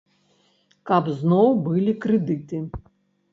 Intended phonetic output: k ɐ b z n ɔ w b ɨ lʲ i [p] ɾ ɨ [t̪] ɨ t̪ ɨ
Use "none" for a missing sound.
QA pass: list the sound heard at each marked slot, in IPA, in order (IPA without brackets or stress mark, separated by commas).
k, d̪